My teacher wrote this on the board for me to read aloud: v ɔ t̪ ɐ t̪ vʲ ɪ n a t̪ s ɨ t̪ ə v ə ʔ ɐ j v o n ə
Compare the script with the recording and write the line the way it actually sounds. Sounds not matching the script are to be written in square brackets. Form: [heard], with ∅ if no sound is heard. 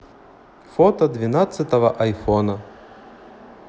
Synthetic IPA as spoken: [f] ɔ t̪ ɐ [d̪] vʲ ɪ n a t̪ s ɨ t̪ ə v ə ʔ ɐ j [f] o n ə